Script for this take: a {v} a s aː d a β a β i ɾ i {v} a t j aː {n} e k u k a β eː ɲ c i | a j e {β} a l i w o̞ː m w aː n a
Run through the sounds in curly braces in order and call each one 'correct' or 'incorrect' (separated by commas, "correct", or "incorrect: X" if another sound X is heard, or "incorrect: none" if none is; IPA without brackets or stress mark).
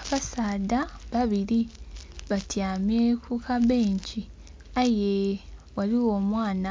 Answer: incorrect: β, incorrect: β, incorrect: m, incorrect: w